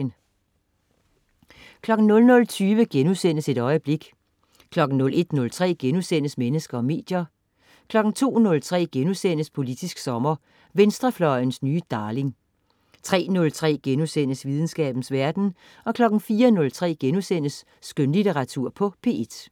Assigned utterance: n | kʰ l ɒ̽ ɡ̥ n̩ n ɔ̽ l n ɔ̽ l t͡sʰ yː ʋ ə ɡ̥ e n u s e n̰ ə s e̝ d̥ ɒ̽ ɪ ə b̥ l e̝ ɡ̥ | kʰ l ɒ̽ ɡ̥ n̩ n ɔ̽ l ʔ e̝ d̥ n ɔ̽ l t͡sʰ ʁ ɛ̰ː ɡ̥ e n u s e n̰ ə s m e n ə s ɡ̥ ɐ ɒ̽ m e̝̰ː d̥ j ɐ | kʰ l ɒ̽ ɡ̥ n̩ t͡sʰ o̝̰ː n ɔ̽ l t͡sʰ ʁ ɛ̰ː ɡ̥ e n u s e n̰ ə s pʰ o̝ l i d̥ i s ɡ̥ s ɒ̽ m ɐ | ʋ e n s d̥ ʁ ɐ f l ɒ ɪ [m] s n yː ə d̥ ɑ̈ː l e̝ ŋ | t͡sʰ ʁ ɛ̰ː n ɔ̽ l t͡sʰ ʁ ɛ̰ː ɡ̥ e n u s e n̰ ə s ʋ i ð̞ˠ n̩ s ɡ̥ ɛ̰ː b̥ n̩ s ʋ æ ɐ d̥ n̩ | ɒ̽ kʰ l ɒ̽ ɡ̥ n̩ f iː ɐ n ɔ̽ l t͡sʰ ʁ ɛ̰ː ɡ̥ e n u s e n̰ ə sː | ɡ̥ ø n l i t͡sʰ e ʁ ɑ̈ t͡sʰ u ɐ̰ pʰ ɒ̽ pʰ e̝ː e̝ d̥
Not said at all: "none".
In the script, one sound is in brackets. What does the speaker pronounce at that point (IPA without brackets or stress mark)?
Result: n